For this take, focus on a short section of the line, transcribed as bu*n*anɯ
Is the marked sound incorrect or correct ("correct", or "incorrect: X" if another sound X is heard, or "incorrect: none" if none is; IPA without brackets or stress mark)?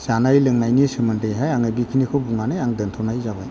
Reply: incorrect: ŋ